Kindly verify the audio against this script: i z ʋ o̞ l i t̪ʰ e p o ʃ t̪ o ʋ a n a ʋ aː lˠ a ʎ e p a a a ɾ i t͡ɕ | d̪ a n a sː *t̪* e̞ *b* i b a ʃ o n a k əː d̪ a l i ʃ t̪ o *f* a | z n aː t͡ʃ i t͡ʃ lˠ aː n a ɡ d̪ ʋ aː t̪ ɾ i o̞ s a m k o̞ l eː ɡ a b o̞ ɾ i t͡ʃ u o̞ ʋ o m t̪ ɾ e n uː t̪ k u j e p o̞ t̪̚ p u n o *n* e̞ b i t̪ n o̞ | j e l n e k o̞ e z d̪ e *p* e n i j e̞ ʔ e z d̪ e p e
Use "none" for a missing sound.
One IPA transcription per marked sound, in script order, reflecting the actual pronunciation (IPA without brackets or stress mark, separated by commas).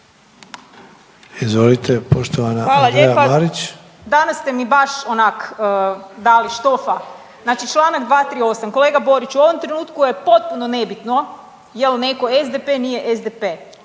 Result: t̪, m, f, n, p